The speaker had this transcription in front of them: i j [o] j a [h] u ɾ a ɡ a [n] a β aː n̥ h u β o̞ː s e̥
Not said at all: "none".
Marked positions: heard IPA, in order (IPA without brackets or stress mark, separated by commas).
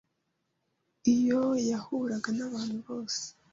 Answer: o, h, n